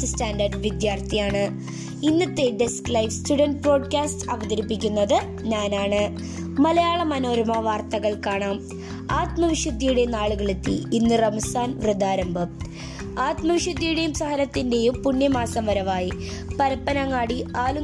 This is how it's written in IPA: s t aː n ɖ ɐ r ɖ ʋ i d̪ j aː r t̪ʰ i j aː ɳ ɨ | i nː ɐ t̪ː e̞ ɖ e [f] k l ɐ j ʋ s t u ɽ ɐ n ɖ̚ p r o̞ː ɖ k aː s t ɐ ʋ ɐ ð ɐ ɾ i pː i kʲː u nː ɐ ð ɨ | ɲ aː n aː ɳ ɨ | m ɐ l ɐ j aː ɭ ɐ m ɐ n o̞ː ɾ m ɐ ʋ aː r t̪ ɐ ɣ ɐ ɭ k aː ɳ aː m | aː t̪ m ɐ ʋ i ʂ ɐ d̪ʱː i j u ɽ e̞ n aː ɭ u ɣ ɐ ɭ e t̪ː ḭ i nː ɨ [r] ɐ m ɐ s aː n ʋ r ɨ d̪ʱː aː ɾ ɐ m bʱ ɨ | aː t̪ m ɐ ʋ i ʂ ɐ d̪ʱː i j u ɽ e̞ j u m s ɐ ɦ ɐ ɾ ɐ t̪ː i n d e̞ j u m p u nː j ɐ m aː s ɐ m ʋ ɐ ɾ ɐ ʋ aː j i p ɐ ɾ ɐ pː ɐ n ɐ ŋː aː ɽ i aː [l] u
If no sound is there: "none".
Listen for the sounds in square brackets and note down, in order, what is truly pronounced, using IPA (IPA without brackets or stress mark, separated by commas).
s, r, l